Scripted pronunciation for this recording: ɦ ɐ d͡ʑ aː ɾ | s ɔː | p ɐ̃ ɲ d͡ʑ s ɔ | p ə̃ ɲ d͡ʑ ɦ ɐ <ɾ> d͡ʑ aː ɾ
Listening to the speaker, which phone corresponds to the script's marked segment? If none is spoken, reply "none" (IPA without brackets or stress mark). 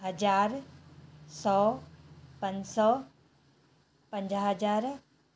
none